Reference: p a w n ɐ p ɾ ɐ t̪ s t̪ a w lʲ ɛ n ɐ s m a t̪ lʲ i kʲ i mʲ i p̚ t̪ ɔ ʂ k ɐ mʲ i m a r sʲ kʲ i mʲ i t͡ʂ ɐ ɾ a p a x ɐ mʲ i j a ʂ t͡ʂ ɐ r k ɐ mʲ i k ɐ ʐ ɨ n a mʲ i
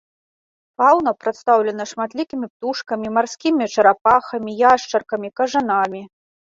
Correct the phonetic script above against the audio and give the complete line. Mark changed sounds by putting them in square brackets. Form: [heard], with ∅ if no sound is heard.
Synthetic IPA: p a w n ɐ p ɾ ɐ t̪ s t̪ a w lʲ ɛ n ɐ [ʂ] m a t̪ lʲ i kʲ i mʲ i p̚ t̪ [u] ʂ k ɐ mʲ i m a r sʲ kʲ i mʲ i t͡ʂ ɐ ɾ a p a x ɐ mʲ i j a ʂ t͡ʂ ɐ r k ɐ mʲ i k ɐ ʐ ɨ n a mʲ i